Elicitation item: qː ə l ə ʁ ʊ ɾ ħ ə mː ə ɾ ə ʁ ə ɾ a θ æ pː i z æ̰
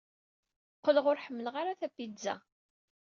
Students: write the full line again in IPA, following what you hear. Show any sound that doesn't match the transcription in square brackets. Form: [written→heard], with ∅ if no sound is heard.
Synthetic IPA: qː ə l ə ʁ ʊ ɾ ħ ə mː ə [ɾ→l] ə ʁ [ə→a] ɾ a θ æ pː i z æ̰